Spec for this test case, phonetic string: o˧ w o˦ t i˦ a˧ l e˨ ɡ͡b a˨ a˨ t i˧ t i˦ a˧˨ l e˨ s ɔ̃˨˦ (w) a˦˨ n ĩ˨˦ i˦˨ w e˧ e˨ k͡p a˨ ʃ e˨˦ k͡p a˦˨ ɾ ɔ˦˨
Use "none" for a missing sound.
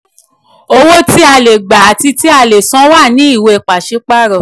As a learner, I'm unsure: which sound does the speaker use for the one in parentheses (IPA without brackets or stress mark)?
w